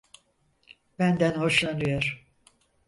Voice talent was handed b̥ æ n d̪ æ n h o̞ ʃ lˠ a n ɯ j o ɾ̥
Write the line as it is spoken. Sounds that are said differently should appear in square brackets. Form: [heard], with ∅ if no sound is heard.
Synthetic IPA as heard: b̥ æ n d̪ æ n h o̞ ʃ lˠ a n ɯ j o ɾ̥